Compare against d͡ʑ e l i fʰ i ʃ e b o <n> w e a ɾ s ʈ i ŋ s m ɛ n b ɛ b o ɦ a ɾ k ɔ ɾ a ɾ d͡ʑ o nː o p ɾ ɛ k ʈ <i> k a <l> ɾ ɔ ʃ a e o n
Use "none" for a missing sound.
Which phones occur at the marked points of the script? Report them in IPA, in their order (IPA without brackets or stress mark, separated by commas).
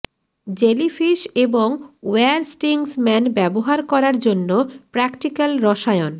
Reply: ŋ, i, l